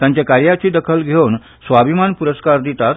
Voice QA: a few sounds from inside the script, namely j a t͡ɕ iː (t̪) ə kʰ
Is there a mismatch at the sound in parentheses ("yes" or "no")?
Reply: yes